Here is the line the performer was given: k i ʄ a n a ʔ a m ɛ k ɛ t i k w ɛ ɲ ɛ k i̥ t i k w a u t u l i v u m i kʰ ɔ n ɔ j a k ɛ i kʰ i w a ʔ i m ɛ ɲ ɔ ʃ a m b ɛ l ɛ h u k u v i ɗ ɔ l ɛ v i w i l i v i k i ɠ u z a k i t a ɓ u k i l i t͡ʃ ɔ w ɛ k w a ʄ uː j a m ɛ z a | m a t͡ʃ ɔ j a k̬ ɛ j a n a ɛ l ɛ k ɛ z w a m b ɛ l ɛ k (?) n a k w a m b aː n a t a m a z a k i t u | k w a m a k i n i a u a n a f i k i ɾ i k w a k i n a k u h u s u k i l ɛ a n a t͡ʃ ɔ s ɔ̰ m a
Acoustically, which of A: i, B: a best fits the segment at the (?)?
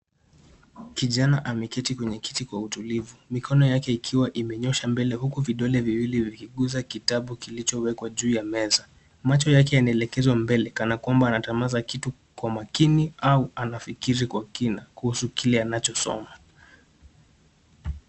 B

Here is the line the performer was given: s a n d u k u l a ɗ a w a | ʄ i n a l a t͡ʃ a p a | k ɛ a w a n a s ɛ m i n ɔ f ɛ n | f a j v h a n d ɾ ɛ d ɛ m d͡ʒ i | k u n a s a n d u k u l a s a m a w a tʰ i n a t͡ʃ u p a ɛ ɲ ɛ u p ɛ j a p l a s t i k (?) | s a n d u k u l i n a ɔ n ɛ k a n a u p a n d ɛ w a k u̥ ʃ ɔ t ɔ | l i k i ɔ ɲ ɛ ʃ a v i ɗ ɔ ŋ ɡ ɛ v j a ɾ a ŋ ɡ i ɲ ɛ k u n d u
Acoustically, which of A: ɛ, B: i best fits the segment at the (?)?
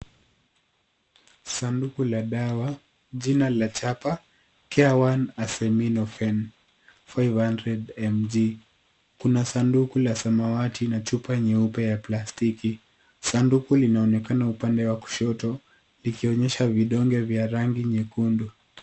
B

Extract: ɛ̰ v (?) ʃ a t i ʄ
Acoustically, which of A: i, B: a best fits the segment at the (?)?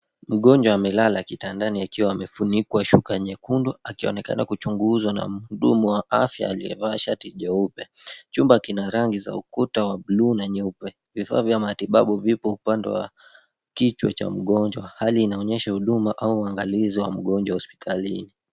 B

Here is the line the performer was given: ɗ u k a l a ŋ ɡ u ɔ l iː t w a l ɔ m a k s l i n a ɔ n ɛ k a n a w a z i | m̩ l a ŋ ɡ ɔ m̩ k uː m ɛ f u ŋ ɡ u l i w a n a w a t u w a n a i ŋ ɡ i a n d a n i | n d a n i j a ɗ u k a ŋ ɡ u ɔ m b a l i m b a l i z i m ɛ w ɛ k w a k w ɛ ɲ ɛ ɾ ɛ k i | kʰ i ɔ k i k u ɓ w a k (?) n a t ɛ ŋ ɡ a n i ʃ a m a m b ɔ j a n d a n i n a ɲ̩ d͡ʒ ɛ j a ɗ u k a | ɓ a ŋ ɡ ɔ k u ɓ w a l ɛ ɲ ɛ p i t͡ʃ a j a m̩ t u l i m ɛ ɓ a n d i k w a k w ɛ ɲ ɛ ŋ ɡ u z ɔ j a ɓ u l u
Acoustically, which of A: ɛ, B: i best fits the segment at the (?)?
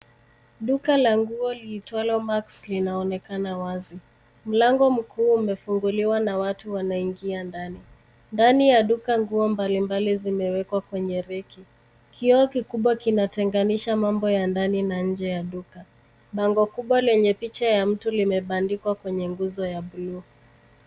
B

